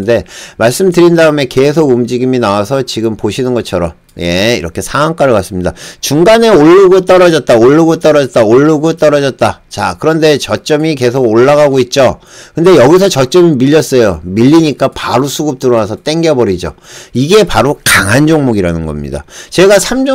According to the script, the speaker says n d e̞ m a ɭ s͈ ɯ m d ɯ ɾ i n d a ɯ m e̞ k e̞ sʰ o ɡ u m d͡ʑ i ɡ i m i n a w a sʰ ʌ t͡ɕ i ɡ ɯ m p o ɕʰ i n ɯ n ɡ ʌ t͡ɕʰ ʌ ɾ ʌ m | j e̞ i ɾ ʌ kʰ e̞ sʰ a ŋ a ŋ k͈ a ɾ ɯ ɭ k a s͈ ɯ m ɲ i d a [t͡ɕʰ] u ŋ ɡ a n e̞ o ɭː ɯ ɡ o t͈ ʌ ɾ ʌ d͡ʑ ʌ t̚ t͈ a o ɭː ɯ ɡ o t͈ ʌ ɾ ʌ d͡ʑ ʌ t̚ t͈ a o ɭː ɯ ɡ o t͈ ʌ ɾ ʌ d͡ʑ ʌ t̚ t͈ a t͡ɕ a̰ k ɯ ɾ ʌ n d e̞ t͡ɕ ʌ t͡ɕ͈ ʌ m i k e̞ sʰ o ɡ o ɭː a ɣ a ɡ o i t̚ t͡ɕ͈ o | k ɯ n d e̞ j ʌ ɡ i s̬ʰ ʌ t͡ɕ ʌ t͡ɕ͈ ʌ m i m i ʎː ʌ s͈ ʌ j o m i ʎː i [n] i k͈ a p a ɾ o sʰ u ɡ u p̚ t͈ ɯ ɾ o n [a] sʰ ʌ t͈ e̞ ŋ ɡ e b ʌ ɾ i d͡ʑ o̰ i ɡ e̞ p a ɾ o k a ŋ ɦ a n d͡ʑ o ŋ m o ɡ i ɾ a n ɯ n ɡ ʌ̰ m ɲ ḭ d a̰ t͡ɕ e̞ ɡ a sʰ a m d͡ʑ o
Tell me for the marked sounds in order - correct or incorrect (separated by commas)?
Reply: incorrect, incorrect, correct